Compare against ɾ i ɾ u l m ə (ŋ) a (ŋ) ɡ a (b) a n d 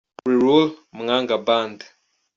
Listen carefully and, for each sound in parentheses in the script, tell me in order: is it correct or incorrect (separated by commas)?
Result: correct, correct, correct